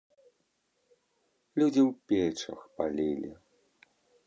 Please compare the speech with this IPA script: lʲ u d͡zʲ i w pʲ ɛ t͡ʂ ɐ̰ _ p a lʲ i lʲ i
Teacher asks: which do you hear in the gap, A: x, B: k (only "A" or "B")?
A